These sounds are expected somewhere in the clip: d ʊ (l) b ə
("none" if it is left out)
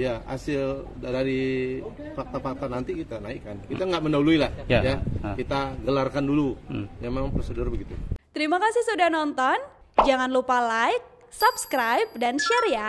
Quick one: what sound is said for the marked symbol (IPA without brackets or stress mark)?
r